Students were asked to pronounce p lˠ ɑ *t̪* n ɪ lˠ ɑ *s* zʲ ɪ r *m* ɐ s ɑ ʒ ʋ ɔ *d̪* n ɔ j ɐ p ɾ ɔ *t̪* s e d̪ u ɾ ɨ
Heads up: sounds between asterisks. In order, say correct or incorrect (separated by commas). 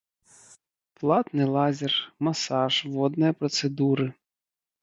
correct, incorrect, correct, correct, correct